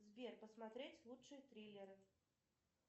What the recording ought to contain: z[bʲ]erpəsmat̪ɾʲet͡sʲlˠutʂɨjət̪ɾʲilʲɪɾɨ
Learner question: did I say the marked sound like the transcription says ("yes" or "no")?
no